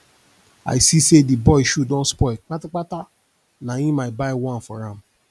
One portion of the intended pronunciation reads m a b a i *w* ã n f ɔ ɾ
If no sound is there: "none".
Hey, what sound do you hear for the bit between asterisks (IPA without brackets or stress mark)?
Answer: w